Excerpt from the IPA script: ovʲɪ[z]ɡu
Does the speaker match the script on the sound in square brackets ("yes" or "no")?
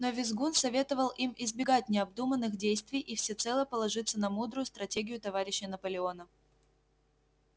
yes